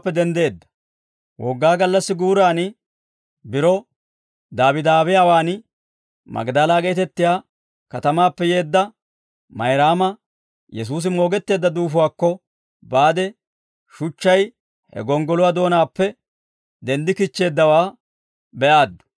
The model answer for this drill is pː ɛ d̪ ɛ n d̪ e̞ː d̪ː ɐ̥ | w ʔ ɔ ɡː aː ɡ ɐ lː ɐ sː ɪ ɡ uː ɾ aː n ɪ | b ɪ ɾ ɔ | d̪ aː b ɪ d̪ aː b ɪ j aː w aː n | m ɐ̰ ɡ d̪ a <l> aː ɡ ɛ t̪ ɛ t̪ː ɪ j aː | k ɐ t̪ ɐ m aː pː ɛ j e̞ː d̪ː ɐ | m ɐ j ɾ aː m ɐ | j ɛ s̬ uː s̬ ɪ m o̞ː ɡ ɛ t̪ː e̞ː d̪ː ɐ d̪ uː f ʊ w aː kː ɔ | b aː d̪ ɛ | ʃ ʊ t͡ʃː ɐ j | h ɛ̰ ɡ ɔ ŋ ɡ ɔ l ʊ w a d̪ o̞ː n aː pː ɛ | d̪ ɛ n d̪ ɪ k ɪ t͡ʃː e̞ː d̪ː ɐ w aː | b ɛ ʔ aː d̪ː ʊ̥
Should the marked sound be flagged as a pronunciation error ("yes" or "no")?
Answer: no